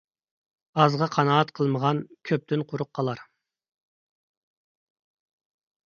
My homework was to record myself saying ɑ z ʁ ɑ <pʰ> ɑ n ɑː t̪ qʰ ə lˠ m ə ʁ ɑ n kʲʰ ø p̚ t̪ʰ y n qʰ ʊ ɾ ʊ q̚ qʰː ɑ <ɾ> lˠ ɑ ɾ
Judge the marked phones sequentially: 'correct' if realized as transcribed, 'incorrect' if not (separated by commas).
incorrect, incorrect